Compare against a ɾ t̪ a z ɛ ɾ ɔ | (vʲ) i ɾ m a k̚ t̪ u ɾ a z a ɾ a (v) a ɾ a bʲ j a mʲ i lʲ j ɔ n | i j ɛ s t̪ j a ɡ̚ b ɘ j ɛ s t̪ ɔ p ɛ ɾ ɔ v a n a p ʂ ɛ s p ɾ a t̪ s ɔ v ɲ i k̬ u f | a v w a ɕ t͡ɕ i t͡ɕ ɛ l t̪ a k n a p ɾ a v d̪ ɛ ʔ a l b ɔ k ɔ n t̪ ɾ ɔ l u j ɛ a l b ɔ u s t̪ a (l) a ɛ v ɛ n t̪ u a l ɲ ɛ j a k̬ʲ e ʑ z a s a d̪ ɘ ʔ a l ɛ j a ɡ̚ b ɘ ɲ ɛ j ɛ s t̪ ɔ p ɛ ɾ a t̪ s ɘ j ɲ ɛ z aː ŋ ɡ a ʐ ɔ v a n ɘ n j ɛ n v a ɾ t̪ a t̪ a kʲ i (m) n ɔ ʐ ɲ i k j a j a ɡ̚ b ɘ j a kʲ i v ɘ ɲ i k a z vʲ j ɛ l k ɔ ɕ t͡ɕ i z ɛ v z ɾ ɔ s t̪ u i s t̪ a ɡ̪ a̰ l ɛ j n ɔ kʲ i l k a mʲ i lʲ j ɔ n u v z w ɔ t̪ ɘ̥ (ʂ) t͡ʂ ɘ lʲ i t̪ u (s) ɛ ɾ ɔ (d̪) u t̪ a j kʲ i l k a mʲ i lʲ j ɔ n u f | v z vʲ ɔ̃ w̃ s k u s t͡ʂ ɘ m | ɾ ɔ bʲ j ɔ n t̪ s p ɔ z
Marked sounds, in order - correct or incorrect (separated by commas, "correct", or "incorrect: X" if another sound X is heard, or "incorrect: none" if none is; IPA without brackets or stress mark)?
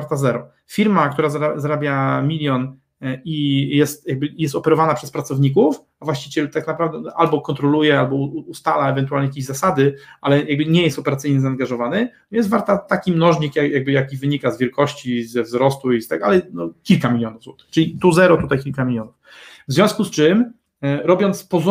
incorrect: fʲ, incorrect: z, correct, correct, incorrect: x, incorrect: z, incorrect: t̪